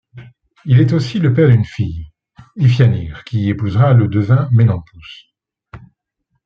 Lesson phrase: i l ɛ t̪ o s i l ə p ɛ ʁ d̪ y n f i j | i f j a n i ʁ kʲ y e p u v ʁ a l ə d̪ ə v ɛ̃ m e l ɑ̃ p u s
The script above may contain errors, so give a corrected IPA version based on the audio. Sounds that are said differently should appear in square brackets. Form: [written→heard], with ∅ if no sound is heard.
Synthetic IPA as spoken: i l ɛ t̪ o s i l ə p ɛ ʁ d̪ y n f i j | i f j a n i ʁ kʲ [y→i] e p u [v→z] ʁ a l ə d̪ ə v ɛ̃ m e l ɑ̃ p u s